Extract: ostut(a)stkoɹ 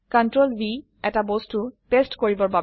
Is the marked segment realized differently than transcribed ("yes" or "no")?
yes